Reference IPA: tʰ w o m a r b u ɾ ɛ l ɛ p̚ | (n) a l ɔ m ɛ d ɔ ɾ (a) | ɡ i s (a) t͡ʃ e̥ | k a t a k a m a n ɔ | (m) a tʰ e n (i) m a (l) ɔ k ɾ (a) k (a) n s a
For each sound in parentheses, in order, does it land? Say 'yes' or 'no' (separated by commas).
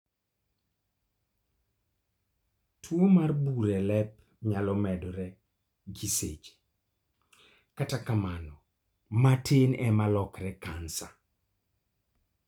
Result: no, no, no, yes, no, yes, no, yes